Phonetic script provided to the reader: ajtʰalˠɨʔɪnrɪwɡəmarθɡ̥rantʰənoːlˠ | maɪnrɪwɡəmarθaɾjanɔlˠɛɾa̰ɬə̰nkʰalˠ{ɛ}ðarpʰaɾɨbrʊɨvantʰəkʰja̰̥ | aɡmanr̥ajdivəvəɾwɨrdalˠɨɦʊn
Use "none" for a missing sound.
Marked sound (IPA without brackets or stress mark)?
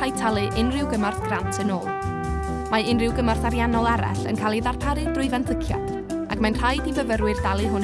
i